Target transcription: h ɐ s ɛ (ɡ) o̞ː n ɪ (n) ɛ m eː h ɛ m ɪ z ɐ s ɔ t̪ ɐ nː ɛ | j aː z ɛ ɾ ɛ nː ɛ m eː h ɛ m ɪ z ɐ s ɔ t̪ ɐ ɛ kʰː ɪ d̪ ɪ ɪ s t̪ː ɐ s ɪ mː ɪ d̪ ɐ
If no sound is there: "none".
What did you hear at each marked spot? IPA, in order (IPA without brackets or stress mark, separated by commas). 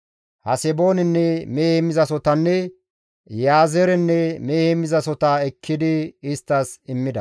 b, nː